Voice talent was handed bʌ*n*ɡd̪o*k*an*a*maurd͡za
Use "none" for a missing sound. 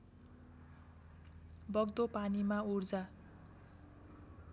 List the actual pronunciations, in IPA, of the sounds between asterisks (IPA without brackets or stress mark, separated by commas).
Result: none, p, i